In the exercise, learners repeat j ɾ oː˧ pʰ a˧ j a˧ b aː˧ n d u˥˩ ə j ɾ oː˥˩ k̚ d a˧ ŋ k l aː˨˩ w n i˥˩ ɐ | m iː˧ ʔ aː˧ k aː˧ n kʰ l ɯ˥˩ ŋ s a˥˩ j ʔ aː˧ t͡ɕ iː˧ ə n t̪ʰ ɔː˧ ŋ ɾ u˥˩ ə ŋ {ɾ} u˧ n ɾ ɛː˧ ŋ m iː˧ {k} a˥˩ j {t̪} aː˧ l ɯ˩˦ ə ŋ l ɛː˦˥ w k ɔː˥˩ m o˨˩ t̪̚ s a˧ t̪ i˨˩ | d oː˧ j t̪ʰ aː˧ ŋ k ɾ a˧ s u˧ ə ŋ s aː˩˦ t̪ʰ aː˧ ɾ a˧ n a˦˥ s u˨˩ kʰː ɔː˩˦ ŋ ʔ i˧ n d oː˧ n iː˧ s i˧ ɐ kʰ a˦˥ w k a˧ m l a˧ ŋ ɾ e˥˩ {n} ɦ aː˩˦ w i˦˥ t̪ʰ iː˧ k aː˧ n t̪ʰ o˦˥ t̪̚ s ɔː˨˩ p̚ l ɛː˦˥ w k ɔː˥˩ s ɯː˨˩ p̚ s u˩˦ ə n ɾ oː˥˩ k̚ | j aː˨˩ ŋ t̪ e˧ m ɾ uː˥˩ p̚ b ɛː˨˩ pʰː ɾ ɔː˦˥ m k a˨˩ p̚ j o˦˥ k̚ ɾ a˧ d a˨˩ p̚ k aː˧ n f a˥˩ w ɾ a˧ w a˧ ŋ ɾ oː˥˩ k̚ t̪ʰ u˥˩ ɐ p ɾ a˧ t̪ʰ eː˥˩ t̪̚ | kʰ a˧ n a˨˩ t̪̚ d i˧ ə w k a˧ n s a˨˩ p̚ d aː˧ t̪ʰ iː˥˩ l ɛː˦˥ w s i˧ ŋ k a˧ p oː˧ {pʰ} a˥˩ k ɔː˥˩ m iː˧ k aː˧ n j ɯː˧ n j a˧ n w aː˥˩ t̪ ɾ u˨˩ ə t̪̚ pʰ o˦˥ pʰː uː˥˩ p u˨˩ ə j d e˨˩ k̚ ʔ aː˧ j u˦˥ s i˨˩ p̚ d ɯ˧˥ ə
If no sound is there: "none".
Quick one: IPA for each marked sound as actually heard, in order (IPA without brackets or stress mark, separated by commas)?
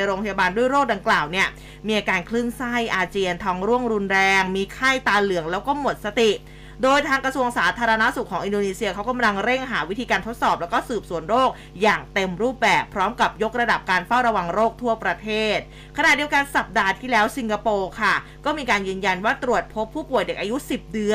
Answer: ɾ, kʰ, t̪, ŋ, kʰ